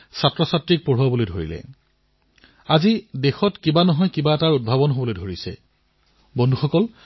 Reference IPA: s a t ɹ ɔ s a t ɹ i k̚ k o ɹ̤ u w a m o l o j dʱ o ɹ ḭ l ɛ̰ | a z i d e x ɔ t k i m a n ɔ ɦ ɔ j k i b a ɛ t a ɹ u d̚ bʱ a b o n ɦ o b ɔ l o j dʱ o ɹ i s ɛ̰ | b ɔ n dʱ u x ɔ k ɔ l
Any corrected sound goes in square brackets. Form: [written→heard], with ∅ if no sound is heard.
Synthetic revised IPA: s a t ɹ ɔ s a t ɹ i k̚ [k→p] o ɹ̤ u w a [m→b] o l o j dʱ o ɹ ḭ l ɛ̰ | a z i d e x ɔ t k i [m→b] a n ɔ ɦ ɔ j k i b a ɛ t a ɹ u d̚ bʱ a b [o→ɔ] n ɦ o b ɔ l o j dʱ o ɹ i s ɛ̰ | b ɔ n dʱ u x ɔ k ɔ l